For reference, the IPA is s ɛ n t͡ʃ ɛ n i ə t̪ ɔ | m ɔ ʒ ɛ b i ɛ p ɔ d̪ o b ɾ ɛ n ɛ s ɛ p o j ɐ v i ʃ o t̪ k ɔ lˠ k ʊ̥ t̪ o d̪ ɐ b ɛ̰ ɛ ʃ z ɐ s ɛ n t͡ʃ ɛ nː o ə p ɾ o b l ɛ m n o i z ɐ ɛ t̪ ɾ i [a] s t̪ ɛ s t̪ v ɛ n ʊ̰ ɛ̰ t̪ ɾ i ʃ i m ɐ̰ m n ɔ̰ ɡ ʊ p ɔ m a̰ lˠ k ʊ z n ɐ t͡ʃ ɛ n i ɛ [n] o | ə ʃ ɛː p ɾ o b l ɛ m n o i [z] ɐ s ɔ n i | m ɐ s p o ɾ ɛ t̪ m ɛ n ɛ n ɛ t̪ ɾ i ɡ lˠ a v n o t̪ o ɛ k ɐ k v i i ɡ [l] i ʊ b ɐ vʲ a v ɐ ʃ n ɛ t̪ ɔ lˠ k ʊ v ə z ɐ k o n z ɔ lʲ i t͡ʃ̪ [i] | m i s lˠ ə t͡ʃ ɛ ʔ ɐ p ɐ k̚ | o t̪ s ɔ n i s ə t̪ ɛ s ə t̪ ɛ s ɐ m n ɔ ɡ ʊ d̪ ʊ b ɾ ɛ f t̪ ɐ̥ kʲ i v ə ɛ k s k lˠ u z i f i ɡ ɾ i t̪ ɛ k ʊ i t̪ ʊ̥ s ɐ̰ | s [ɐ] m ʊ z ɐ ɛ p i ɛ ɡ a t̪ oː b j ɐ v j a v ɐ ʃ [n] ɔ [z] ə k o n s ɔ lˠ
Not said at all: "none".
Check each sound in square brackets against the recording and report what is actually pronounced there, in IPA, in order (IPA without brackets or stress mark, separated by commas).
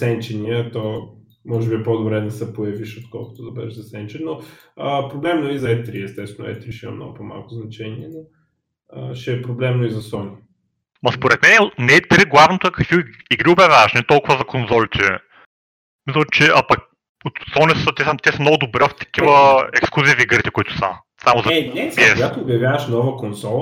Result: ɛ, n, z, ɾ, ɛ, a, n, v